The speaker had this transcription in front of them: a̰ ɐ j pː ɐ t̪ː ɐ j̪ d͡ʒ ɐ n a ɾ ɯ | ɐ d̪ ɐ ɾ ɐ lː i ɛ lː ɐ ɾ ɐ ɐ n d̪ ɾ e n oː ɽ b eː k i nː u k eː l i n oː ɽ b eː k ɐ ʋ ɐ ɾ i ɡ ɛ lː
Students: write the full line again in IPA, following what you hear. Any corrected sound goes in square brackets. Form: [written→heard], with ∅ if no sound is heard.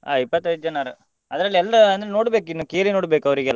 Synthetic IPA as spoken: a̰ ɐ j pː ɐ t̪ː ɐ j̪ d͡ʒ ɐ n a ɾ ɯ | ɐ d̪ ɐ ɾ ɐ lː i ɛ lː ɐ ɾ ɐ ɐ n d̪ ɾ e n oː ɽ b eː k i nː u k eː l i n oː ɽ b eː k ɐ ʋ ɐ ɾ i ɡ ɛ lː